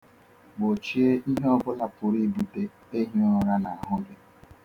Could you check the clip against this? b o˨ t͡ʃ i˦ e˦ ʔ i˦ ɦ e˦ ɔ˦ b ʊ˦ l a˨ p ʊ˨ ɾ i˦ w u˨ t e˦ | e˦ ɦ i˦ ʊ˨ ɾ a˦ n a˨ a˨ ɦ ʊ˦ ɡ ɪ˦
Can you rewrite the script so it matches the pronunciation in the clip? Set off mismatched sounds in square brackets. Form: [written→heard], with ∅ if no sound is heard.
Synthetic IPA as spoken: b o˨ t͡ʃ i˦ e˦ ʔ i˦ ɦ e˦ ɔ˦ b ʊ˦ l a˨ p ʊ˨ ɾ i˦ [w→b] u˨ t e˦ | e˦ ɦ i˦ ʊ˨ ɾ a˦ n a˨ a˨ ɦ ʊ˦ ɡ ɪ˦

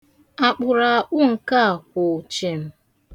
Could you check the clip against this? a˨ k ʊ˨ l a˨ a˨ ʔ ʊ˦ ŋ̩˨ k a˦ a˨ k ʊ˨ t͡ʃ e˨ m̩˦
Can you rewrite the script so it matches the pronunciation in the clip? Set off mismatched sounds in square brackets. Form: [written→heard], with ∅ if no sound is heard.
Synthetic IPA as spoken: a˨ [k→k͡p] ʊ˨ [l→ɾ] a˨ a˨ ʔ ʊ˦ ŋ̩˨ k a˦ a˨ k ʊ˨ t͡ʃ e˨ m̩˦

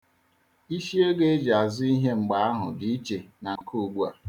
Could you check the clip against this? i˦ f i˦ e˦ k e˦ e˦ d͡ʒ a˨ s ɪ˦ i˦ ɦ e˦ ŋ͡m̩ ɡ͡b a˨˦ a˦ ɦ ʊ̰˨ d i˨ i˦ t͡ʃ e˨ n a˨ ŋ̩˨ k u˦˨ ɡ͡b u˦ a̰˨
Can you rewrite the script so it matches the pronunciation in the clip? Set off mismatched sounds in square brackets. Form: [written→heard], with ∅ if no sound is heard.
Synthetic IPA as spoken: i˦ [f→ʃ] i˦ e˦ [k→ɡ] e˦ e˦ d͡ʒ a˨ [s→z] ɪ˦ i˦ ɦ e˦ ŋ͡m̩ ɡ͡b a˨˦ a˦ ɦ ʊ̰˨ d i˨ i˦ t͡ʃ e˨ n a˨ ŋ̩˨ k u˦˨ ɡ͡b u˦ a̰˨

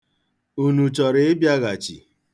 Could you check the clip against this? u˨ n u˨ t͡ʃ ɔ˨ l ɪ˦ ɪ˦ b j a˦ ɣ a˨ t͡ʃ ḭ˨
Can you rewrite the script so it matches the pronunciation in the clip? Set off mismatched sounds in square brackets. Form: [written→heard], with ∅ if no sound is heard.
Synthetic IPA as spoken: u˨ n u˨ t͡ʃ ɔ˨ [l→ɾ] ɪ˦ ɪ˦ b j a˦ ɣ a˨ t͡ʃ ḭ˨

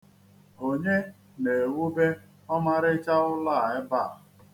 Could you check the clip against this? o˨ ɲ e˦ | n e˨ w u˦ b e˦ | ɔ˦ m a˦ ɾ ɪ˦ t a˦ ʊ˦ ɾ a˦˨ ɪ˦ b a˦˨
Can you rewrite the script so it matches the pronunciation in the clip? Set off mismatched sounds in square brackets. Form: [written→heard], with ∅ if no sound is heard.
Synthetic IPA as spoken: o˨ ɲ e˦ | n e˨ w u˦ b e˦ | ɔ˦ m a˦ ɾ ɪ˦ [t→t͡ʃ] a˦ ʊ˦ [ɾ→l] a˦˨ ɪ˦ b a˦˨

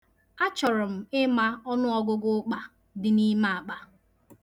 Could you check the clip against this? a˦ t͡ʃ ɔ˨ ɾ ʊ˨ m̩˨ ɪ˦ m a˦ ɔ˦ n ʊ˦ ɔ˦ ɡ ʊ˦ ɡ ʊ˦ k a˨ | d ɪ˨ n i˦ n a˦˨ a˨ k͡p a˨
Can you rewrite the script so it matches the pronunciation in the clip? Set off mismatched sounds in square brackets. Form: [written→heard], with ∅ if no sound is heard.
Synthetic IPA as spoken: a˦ t͡ʃ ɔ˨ ɾ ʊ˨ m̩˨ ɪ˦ m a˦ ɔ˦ n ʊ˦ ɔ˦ ɡ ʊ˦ ɡ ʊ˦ [k→k͡p] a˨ | d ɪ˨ n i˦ [n→m] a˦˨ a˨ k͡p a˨

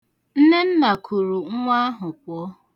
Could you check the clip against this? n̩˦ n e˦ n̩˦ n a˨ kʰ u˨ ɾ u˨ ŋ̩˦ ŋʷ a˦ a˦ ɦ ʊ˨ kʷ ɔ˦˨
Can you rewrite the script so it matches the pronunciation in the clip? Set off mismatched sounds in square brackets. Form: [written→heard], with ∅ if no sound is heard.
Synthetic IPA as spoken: n̩˦ n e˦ n̩˦ n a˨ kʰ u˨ ɾ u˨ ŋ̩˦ ŋʷ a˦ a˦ ɦ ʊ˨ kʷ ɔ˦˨

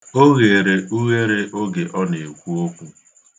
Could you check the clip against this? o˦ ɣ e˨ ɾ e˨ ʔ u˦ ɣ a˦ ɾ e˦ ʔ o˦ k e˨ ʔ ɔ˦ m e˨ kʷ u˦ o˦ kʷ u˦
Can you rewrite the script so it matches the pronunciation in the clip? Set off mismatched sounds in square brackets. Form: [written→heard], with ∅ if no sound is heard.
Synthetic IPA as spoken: o˦ ɣ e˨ ɾ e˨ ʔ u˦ ɣ [a˦→e˦] ɾ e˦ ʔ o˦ [k→ɡ] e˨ ʔ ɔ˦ [m→n] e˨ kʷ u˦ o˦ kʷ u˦

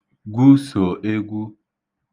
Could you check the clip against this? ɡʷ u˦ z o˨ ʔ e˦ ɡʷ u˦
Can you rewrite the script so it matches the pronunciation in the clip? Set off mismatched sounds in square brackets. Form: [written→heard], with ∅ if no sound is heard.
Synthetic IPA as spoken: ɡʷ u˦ [z→s] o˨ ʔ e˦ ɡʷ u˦

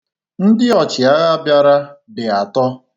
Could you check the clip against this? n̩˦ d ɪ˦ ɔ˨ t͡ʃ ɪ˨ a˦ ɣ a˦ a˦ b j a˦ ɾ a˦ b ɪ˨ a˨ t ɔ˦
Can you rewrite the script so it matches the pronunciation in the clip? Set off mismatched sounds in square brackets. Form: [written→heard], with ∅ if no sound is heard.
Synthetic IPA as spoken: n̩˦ d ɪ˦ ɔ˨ t͡ʃ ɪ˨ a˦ ɣ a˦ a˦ b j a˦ ɾ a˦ b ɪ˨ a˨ t ɔ˦

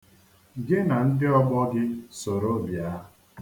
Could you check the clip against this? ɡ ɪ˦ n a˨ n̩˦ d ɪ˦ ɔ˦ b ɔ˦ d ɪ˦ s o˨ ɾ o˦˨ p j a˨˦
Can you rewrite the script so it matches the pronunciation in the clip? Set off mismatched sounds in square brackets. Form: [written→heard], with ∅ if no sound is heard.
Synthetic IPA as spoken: ɡ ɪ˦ n a˨ n̩˦ d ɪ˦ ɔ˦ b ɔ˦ [d→ɡ] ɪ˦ s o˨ ɾ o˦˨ [p→b] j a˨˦

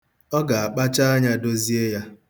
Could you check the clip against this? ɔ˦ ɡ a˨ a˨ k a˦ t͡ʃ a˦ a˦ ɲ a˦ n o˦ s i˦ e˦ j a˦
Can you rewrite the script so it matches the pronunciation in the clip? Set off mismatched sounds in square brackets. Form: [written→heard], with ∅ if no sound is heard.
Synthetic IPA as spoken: ɔ˦ ɡ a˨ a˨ [k→k͡p] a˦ t͡ʃ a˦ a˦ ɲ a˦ [n→d] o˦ [s→z] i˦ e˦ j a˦

